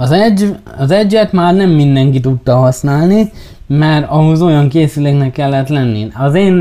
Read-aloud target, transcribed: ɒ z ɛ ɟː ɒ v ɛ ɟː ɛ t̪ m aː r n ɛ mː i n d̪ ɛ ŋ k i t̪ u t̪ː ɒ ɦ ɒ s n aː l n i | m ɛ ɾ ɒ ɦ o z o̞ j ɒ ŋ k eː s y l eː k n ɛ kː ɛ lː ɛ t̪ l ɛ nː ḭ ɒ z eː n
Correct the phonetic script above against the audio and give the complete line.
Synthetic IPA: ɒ z ɛ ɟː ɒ z ɛ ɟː ɛ t̪ m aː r n ɛ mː i n d̪ ɛ ŋ k i t̪ u t̪ː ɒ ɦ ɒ s n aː l n i | m ɛ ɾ ɒ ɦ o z o̞ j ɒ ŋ k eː s y l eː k n ɛ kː ɛ lː ɛ t̪ l ɛ nː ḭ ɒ z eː n